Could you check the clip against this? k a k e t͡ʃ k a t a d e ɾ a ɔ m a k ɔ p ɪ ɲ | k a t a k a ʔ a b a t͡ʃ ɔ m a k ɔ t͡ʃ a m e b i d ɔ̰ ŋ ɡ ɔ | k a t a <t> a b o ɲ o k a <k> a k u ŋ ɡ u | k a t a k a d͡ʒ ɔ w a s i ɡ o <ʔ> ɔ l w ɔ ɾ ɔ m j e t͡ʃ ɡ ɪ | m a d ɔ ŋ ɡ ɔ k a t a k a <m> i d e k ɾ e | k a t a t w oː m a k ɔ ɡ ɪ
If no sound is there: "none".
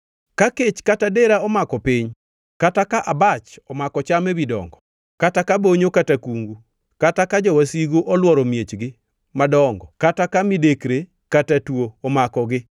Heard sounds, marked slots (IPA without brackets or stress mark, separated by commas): k, t, ʔ, m